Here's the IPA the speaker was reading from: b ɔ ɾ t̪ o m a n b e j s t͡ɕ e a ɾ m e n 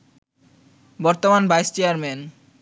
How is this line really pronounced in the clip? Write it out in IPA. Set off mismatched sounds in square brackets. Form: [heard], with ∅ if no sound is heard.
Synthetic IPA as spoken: b ɔ ɾ t̪ o m a n b [a] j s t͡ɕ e a ɾ m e n